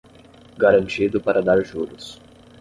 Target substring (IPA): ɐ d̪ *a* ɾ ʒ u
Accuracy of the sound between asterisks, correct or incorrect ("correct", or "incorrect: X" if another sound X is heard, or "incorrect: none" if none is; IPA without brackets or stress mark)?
correct